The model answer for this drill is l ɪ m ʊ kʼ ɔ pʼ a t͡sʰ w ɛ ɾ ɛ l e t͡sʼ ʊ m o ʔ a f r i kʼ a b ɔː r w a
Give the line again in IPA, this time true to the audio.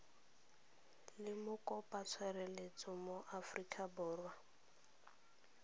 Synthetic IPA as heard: l ɪ m ʊ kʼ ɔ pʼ a t͡sʰ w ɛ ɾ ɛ l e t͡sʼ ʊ m o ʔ a f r i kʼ a b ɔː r w a